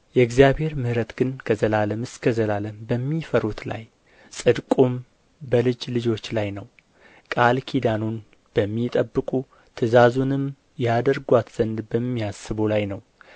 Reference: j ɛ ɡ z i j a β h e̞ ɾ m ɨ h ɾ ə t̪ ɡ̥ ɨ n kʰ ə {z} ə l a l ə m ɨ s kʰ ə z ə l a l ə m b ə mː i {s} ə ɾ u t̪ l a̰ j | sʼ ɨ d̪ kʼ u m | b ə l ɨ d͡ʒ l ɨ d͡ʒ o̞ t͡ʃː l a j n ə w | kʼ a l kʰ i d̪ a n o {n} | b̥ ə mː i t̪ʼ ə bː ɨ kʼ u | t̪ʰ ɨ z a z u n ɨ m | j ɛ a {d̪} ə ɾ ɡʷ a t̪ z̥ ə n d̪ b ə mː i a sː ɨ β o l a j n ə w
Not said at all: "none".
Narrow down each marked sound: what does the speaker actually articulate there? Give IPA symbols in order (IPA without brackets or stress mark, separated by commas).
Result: z, f, n, d̪